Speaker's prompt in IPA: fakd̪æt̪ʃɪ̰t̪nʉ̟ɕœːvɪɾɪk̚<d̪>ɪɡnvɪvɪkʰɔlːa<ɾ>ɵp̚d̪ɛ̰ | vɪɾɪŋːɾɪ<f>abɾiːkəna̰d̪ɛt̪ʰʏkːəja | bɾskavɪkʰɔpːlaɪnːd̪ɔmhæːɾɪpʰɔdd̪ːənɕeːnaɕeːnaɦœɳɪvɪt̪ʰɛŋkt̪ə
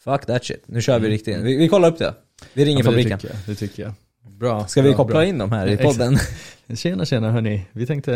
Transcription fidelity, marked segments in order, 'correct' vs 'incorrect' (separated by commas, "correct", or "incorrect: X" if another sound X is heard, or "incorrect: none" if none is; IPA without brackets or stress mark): incorrect: t̪, correct, correct